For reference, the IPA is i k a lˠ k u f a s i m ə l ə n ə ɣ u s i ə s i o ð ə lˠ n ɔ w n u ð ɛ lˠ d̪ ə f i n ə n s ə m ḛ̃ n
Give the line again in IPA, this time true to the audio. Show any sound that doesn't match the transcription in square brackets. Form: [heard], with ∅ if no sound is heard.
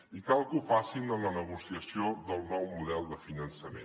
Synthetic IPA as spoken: i k a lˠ k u f a s i [n] ə l ə n ə ɣ u s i ə s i o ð ə lˠ n ɔ w [m] u ð ɛ lˠ d̪ ə f i n ə n s ə m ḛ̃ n